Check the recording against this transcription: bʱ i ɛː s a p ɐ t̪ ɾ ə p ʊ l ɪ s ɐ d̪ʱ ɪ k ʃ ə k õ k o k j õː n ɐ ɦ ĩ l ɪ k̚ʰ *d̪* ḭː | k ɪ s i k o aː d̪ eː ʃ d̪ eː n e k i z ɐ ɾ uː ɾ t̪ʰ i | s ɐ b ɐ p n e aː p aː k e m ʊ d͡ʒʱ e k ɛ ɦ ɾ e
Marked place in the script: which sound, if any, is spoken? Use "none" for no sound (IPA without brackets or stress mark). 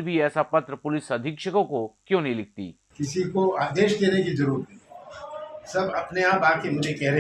t̪